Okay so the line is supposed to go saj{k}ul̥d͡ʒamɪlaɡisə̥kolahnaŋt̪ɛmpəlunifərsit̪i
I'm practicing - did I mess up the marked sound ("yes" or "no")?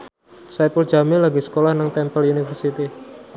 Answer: yes